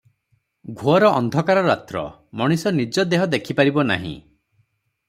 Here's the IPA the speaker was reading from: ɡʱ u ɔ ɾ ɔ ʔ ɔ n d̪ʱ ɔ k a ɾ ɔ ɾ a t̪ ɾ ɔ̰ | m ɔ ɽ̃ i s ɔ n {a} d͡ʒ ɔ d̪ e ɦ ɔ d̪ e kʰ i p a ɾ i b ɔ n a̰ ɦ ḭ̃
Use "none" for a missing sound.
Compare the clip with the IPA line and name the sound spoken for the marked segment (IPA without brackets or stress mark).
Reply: i